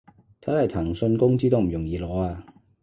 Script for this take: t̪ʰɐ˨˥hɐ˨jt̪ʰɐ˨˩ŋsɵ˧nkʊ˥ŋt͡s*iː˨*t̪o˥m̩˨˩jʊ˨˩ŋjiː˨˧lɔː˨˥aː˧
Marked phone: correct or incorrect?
incorrect